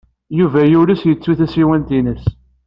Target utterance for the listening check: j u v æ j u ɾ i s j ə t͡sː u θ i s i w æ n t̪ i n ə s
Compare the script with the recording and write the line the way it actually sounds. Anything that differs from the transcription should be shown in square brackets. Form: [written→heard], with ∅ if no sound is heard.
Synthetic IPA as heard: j u v æ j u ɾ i s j ə t͡sː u θ [i→æ] s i w æ n t̪ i n ə s